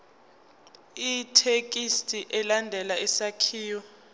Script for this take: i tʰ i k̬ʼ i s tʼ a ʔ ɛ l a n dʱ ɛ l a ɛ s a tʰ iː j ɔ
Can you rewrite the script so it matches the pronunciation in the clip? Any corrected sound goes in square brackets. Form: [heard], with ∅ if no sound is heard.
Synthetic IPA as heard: i tʰ [e] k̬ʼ i s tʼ [i] ʔ ɛ l a n dʱ ɛ l a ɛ s a [kʰ] iː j ɔ